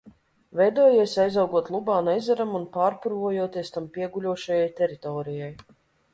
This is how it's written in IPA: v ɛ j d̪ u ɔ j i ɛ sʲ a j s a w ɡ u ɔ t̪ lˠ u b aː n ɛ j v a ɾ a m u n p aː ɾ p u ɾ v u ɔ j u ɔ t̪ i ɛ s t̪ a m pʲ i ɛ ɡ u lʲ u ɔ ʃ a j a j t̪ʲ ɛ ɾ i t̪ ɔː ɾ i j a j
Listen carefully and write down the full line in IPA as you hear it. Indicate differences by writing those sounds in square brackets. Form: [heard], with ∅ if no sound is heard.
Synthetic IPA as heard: v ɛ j d̪ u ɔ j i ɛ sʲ a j [z] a w ɡ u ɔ t̪ lˠ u b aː n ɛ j [z] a ɾ a m u n p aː ɾ p u ɾ v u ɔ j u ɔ t̪ i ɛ s t̪ a m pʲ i ɛ ɡ u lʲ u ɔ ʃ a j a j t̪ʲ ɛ ɾ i t̪ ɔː ɾ i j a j